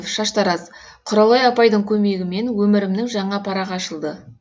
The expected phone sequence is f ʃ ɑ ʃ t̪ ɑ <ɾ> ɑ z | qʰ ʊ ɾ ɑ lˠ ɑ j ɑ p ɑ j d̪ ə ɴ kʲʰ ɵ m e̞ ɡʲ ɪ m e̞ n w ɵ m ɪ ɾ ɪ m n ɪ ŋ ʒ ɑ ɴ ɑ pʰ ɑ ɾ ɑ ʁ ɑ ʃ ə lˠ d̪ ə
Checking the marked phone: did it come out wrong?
no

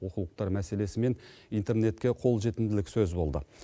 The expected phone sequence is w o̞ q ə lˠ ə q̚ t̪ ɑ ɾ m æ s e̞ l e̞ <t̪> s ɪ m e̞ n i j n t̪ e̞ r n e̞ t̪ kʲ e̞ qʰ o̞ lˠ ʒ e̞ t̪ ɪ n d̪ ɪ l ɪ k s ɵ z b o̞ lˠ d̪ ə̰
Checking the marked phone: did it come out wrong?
yes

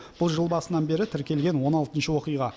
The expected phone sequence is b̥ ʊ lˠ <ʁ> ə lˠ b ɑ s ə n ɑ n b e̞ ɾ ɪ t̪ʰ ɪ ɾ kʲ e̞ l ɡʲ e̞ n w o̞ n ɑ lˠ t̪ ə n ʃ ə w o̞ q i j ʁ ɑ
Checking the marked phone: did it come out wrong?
yes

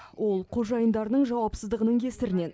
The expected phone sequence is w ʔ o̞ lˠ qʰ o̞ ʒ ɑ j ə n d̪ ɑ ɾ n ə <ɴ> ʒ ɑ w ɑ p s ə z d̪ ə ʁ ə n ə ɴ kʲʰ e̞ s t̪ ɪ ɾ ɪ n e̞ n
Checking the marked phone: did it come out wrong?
no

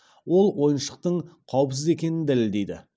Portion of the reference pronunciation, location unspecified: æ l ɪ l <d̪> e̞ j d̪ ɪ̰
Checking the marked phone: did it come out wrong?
no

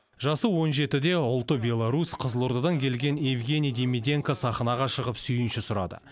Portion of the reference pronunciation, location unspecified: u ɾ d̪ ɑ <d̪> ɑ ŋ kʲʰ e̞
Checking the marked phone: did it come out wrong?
no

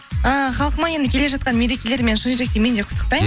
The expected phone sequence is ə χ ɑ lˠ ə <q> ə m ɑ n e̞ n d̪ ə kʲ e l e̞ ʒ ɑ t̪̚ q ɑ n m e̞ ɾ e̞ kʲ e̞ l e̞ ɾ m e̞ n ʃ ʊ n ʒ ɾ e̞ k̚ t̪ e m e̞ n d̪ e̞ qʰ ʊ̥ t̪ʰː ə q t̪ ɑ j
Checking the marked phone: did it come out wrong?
no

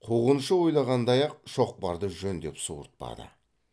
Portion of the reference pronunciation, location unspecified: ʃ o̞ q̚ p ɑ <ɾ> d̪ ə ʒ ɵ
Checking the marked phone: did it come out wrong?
no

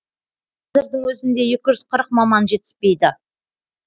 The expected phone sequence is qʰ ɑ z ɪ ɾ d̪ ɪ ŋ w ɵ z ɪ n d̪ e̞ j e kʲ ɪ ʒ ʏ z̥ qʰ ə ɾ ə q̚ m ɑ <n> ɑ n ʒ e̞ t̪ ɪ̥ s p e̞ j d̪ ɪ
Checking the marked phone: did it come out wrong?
yes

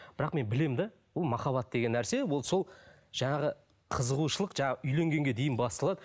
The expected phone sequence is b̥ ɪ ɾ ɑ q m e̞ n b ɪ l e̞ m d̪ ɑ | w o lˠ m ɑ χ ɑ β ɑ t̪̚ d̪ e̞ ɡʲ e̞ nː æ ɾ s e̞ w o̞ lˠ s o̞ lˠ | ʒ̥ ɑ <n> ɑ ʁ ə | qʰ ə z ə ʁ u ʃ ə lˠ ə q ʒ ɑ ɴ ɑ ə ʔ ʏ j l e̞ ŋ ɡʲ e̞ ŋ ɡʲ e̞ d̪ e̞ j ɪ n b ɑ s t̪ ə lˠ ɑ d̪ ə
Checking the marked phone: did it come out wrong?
yes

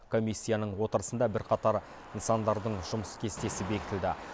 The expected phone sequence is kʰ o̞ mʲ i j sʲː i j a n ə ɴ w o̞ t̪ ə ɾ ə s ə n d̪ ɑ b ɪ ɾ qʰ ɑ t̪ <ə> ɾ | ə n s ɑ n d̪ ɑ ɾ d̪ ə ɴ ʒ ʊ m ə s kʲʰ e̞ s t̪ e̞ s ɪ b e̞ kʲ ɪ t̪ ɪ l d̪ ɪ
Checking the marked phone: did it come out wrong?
yes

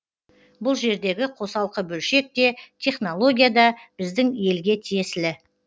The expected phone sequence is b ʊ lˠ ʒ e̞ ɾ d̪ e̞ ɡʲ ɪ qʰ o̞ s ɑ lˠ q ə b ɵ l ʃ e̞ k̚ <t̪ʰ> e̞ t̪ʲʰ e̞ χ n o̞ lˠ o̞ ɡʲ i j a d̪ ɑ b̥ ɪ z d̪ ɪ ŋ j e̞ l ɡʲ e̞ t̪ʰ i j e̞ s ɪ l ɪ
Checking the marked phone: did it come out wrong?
yes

